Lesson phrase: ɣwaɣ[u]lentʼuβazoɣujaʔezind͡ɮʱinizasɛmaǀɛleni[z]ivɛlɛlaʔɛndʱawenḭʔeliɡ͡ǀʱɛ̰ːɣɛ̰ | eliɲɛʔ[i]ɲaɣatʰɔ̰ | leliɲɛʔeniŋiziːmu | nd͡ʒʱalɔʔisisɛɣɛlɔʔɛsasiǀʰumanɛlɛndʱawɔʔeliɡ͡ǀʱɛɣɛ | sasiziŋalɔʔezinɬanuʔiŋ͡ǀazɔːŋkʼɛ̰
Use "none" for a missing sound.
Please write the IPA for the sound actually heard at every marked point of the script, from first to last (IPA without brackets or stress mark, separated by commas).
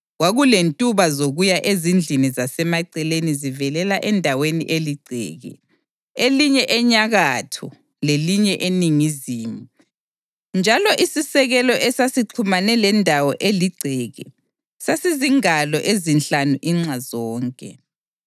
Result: u, z, ɛ